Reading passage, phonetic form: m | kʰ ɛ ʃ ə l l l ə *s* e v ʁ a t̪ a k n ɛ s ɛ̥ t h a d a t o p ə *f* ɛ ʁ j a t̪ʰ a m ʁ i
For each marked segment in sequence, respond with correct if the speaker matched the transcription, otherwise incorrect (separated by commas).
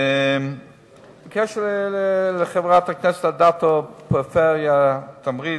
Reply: incorrect, correct